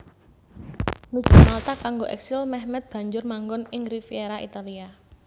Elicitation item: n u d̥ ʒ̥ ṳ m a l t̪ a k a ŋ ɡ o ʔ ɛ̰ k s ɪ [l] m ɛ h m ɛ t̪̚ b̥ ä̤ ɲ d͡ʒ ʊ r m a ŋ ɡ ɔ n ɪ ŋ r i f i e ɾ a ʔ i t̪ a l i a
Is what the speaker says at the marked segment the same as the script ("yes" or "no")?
yes